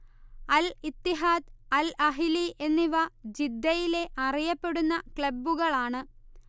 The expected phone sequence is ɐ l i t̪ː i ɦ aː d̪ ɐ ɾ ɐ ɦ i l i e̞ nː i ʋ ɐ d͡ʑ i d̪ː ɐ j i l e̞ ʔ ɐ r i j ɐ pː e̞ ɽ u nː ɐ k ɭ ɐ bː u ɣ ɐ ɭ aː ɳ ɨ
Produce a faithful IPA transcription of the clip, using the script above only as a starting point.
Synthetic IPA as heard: ɐ l i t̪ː i ɦ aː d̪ ɐ l ɐ ɦ i l i e̞ nː i ʋ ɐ d͡ʑ i d̪ː ɐ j i l e̞ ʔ ɐ r i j ɐ pː e̞ ɽ u nː ɐ k ɭ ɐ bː u ɣ ɐ ɭ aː ɳ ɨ